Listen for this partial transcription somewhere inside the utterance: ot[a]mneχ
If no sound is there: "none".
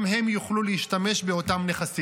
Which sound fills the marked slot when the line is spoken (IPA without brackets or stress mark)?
a